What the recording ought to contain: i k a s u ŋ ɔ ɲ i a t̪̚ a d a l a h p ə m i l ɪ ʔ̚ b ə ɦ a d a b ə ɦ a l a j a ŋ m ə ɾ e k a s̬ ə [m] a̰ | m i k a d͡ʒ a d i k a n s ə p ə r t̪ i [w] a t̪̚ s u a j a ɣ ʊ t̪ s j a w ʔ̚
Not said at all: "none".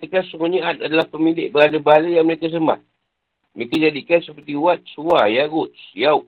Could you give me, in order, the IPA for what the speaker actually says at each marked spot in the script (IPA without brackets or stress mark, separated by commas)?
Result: m, w